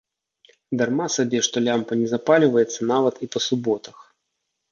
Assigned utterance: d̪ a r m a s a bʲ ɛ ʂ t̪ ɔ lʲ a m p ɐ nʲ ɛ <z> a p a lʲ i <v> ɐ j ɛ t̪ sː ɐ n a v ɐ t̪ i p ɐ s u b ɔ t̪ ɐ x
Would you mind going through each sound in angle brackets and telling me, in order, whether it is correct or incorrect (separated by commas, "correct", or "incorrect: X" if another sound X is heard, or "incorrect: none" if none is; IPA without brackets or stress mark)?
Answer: correct, correct